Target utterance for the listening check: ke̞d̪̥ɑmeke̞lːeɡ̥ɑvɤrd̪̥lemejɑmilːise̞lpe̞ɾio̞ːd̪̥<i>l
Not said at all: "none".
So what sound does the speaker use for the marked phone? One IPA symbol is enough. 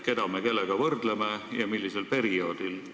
i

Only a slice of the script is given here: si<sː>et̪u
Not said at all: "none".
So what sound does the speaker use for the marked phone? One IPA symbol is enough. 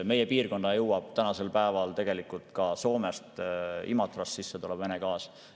sː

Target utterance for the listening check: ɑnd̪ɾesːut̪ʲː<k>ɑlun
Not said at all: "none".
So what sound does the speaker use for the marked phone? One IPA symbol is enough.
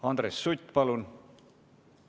p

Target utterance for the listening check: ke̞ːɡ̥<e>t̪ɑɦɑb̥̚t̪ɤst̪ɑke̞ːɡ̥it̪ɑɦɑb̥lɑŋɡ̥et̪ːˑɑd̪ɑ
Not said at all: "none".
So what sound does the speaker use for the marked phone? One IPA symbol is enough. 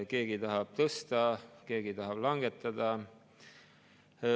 i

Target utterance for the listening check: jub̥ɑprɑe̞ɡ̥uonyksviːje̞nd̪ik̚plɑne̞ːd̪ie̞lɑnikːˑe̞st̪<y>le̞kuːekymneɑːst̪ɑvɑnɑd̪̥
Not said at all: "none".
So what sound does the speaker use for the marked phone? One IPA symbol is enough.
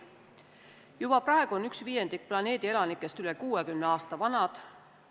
y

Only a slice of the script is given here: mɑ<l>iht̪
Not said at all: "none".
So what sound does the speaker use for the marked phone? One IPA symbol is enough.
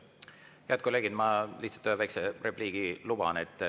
l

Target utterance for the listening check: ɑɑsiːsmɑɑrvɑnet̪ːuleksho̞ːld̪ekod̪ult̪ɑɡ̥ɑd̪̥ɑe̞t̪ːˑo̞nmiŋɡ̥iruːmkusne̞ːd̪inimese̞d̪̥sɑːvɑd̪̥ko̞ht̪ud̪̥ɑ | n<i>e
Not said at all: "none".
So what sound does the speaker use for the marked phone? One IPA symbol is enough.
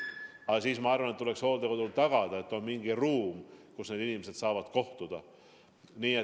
iː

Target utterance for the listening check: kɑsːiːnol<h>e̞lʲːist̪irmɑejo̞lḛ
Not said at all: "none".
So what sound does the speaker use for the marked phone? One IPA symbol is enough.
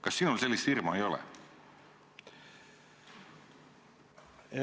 s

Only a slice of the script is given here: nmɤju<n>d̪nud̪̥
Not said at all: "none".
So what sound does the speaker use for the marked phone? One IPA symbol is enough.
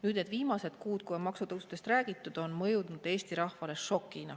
none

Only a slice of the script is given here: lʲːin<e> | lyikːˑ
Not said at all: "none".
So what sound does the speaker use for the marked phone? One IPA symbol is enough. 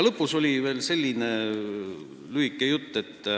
e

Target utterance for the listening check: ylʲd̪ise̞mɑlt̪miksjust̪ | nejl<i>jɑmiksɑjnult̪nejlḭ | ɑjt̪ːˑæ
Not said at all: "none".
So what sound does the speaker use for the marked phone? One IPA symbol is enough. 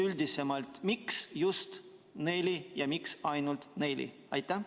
i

